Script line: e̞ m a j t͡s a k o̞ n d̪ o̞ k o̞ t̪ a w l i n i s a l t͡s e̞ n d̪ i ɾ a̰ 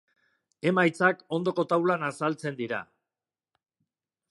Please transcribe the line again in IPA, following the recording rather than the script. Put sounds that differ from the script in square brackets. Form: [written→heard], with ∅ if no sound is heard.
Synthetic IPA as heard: e̞ m a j t͡s a k o̞ n d̪ o̞ k o̞ t̪ a w l [i→a] n [i→a] s a l t͡s e̞ n d̪ i ɾ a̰